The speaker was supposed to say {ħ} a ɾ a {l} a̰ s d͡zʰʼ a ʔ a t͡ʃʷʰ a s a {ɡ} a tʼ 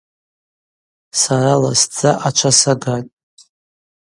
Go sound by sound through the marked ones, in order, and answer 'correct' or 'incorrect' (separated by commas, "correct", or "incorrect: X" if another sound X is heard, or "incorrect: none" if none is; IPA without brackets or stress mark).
incorrect: s, correct, correct